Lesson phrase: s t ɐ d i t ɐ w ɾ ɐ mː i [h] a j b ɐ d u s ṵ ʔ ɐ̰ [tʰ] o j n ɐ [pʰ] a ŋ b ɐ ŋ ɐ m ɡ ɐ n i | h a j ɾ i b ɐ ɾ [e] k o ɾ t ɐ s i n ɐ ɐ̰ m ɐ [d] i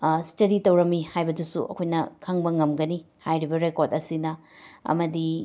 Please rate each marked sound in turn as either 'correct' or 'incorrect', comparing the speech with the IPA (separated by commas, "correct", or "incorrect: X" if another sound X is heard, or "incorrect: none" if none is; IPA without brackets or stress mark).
correct, incorrect: kʰ, incorrect: kʰ, correct, correct